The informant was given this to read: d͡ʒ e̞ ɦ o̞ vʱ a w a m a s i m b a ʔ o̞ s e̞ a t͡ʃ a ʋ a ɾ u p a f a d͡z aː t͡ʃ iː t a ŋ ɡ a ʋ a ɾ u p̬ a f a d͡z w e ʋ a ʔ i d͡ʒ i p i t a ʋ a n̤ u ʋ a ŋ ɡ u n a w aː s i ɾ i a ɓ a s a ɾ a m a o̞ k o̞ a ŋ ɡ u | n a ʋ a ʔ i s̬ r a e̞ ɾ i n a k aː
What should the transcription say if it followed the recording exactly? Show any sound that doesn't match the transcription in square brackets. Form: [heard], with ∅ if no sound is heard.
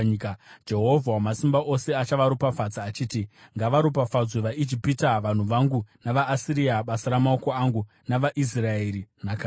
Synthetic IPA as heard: d͡ʒ e̞ ɦ o̞ vʱ a w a m a s i m b a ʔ o̞ s e̞ a t͡ʃ a ʋ a ɾ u p a f a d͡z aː t͡ʃ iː t [i] ŋ ɡ a ʋ a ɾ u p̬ a f a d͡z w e ʋ a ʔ i d͡ʒ i p i t a ʋ a n̤ u ʋ a ŋ ɡ u n a [ʋ] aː s i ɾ i a ɓ a s a ɾ a m a o̞ k o̞ a ŋ ɡ u | n a ʋ a ʔ i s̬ r a e̞ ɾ i n a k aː